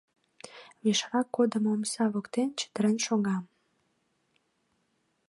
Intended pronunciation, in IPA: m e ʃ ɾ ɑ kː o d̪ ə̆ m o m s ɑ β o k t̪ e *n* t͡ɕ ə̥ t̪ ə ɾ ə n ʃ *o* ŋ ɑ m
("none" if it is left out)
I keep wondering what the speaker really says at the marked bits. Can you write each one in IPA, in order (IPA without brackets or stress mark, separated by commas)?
n, o